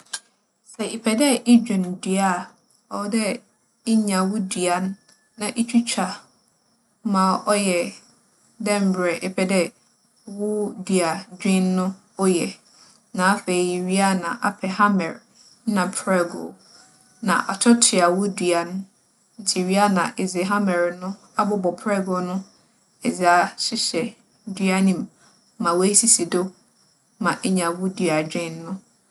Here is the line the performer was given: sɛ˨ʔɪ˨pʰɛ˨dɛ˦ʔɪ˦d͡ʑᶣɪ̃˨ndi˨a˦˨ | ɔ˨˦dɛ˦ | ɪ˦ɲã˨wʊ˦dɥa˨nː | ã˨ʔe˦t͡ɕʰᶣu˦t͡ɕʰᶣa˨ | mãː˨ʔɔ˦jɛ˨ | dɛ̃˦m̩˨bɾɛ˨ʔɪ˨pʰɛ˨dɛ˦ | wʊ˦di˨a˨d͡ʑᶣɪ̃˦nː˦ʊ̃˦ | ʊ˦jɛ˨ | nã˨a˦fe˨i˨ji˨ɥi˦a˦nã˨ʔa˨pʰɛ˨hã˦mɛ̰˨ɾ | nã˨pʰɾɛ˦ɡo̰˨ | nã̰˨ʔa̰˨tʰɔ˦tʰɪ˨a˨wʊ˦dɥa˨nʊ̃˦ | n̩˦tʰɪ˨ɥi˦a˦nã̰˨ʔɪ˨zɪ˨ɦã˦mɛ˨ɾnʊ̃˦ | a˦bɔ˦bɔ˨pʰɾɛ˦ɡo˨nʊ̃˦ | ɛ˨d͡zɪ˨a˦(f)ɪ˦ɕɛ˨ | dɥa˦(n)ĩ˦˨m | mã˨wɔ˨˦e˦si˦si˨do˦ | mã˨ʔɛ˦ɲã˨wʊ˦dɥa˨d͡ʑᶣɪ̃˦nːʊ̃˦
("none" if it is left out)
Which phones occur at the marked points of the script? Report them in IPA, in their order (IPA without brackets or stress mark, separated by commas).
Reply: ɕ, n